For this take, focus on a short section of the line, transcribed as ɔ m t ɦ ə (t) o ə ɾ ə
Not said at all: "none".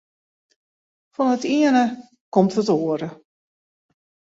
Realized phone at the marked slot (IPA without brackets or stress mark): t